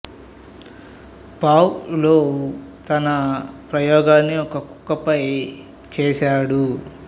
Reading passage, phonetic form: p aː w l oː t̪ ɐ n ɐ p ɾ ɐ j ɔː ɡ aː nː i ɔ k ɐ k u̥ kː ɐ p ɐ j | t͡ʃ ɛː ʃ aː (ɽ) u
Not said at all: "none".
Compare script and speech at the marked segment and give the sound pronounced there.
ɽ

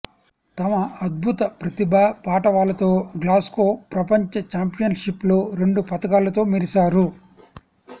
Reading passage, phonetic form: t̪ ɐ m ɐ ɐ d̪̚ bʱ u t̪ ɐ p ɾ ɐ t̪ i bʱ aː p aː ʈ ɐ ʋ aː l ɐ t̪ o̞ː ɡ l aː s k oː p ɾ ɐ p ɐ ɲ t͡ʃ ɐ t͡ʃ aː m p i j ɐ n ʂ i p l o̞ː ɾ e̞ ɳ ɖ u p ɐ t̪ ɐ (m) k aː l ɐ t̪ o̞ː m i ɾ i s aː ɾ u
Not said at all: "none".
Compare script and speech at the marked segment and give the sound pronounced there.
none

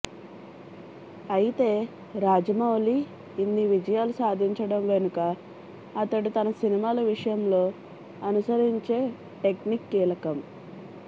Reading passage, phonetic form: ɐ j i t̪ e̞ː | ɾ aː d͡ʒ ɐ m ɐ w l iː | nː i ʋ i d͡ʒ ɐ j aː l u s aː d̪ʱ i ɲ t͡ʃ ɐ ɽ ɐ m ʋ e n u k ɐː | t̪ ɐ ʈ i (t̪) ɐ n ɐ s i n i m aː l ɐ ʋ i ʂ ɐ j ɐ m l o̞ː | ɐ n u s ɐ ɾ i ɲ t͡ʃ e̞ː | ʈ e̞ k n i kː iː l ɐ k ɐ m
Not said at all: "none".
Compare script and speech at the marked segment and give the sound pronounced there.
t̪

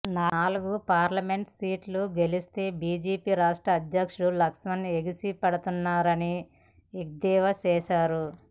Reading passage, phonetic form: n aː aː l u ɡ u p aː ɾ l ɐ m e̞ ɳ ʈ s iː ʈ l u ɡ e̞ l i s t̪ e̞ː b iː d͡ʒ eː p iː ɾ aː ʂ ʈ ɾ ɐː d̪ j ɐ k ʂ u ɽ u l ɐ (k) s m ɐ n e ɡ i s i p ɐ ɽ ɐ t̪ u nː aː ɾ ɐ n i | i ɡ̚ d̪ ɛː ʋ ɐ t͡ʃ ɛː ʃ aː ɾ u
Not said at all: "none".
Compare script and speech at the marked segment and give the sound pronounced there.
k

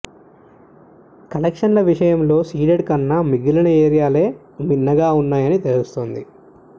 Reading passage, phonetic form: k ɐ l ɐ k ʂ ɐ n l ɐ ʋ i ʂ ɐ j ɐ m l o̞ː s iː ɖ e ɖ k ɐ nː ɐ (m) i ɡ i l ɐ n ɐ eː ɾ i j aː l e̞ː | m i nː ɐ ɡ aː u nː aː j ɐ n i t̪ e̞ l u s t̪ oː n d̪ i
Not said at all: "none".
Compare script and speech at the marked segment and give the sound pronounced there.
m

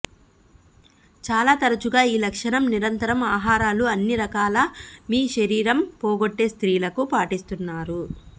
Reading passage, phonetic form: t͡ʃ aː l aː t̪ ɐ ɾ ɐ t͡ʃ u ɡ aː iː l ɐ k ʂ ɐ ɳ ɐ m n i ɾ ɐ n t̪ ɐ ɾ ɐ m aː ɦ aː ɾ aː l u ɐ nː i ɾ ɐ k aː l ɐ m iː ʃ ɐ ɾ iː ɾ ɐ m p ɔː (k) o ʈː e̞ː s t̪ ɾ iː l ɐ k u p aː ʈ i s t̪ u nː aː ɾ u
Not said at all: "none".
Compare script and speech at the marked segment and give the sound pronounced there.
ɡ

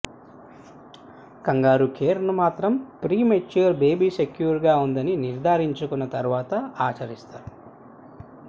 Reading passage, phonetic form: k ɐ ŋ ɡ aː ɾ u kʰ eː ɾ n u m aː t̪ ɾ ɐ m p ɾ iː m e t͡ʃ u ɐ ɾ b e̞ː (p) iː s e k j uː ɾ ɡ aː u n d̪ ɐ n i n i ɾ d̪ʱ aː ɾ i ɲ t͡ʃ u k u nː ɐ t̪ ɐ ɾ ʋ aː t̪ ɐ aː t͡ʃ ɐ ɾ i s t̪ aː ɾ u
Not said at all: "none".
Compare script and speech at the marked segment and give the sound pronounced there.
b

